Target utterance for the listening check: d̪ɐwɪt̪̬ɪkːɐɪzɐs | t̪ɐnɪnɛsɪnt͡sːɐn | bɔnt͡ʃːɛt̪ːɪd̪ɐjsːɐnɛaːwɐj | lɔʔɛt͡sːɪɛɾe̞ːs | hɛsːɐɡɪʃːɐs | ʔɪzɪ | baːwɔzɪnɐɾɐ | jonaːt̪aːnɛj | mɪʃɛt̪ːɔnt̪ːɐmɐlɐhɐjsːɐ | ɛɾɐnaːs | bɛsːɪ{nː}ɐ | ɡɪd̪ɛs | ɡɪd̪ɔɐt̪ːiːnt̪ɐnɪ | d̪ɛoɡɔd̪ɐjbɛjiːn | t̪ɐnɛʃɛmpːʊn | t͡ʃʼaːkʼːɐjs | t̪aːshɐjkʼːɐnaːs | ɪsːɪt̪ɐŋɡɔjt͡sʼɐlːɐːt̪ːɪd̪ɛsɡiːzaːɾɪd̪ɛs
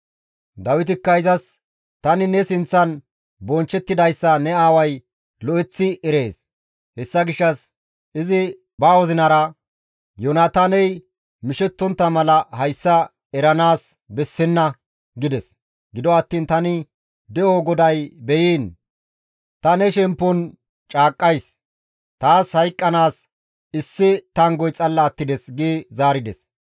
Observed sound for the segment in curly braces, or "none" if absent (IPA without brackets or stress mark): nː